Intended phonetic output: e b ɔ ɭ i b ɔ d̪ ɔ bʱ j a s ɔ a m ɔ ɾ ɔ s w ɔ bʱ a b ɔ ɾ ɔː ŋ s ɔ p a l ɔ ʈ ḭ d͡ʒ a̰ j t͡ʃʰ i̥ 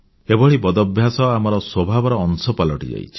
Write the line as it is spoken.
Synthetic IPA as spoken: e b ɔ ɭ i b ɔ d̪ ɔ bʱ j a s ɔ a m ɔ ɾ ɔ s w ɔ bʱ a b ɔ ɾ ɔː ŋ s ɔ p a l ɔ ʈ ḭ d͡ʒ a̰ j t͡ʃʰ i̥